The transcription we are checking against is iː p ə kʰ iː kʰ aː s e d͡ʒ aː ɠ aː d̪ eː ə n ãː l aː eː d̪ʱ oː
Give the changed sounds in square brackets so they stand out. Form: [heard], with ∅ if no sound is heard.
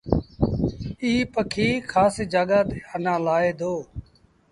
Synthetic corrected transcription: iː p ə kʰ iː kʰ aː s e d͡ʒ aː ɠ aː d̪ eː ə n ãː l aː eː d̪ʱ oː